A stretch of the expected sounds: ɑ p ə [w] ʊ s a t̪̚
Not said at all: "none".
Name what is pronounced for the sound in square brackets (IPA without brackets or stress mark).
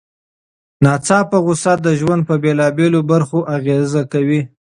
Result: ɣ